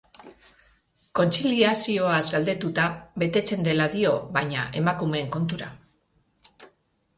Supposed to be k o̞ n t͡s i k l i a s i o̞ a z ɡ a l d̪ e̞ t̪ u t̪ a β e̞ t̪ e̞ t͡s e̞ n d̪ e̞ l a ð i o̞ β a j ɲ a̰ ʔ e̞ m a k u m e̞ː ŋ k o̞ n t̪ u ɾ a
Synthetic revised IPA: k o̞ n t͡s i l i a s i o̞ a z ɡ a l d̪ e̞ t̪ u t̪ a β e̞ t̪ e̞ t͡s e̞ n d̪ e̞ l a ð i o̞ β a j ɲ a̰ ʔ e̞ m a k u m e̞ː ŋ k o̞ n t̪ u ɾ a